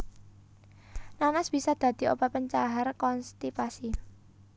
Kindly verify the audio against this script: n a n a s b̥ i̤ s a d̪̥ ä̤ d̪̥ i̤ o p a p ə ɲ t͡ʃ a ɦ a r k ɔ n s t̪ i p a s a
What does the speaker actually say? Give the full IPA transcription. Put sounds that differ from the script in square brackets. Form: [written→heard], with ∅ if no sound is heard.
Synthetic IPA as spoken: n a n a s b̥ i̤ s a d̪̥ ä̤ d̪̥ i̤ o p a p ə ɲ t͡ʃ a ɦ a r k ɔ n s t̪ i p a s [a→i]